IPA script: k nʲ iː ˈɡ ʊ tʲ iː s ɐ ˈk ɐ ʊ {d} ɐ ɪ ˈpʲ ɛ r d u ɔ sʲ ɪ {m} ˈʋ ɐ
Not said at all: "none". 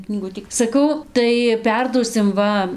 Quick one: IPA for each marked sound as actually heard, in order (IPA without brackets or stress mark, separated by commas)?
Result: t, m